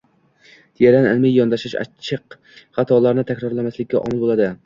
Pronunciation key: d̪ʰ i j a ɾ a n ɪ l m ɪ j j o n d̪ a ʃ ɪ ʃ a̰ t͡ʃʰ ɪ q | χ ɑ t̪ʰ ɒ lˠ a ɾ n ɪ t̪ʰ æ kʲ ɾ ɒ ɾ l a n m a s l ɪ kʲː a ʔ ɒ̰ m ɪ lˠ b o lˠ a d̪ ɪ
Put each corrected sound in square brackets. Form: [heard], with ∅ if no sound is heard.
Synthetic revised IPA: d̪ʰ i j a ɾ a n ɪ l m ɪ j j [ɒ] n d̪ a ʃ ɪ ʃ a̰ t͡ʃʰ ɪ q | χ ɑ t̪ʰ ɒ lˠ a ɾ n ɪ t̪ʰ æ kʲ ɾ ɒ ɾ l a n m a s l ɪ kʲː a ʔ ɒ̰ m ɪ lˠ b o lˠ a d̪ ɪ